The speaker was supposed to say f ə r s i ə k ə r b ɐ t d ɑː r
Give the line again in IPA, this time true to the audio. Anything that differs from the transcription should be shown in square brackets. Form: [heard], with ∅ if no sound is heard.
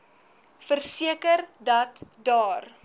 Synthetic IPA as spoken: f ə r s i ə k ə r [d] ɐ t d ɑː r